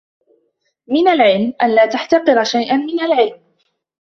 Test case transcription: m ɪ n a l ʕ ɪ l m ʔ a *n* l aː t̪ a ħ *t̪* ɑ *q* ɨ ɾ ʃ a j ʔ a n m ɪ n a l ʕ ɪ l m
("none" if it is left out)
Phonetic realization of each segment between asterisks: n, t̪, q

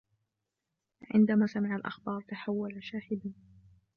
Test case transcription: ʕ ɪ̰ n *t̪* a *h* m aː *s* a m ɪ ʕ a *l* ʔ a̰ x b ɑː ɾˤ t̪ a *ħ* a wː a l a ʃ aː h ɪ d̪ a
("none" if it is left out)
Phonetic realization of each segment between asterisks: d̪, none, s, l, ħ

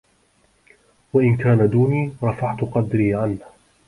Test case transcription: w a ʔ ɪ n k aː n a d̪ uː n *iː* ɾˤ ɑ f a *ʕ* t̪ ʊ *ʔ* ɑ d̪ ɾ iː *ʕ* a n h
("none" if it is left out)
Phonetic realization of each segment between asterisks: iː, ʕ, q, ʕ

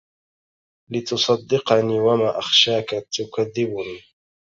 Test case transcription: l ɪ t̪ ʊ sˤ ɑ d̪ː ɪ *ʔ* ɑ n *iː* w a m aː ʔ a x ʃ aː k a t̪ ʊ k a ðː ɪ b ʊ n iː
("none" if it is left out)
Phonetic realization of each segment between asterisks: q, iː

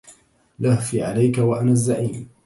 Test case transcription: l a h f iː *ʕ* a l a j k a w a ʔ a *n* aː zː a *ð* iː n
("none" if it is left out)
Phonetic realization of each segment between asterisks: ʕ, n, ʕ

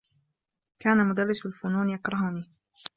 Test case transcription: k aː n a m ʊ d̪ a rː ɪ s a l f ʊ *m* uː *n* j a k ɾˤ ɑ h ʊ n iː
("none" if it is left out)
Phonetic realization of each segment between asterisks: n, n

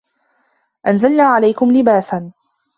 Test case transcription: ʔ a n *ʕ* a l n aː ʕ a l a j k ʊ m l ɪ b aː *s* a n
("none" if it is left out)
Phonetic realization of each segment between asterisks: z, s

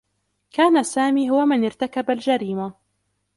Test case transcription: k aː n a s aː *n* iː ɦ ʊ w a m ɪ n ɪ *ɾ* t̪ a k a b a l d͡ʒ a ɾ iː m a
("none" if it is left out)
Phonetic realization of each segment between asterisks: m, ɾ

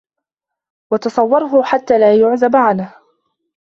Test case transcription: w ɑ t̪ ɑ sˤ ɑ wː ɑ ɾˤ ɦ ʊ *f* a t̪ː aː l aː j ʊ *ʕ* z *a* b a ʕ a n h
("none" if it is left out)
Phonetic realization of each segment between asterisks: ħ, ʕ, a

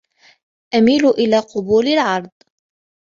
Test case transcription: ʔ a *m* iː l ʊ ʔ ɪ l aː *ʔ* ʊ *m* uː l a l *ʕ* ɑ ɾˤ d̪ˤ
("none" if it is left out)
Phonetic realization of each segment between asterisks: m, q, b, ʕ

